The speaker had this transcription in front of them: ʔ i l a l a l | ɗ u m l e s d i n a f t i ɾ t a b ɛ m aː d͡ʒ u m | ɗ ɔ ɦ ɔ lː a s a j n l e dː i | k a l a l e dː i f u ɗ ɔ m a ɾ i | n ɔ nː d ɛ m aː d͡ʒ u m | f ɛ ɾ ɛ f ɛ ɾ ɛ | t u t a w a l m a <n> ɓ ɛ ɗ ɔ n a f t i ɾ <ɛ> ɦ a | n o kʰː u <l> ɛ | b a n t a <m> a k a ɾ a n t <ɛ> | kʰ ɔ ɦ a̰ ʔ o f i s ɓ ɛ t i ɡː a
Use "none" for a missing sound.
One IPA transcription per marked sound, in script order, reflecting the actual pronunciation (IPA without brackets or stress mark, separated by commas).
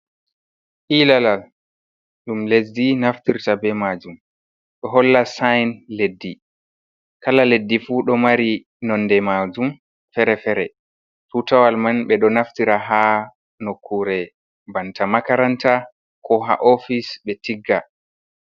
n, a, ɾ, m, a